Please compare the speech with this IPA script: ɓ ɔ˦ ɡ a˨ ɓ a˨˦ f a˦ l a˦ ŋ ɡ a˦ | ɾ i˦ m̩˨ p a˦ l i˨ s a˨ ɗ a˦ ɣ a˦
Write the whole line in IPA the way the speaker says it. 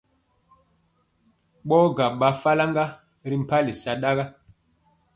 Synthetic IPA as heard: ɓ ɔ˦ ɡ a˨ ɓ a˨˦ f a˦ l a˦ ŋ ɡ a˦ | ɾ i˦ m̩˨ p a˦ l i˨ s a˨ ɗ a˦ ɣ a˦